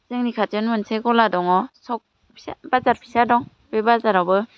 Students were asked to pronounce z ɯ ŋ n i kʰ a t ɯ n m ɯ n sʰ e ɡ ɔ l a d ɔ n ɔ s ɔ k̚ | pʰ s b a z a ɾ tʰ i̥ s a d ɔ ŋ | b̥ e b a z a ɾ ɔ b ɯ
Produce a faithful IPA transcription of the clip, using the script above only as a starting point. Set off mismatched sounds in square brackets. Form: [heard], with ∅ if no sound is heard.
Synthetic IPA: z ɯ ŋ n i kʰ a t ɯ n m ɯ n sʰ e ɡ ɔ l a d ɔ [ŋ] ɔ s ɔ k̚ | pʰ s b a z a ɾ [pʰ] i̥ s a d ɔ ŋ | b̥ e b a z a ɾ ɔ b ɯ